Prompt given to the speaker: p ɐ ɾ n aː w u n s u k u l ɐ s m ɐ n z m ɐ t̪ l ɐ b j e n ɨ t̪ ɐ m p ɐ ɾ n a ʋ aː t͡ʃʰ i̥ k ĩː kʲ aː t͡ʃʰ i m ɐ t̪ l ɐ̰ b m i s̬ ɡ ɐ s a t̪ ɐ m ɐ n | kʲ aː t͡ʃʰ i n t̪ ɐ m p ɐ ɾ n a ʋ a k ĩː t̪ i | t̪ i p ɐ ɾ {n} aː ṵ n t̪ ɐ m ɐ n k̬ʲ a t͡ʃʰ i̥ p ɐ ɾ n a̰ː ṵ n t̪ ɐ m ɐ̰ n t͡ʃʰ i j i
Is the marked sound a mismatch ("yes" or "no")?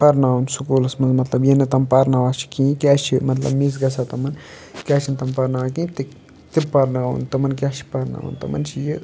no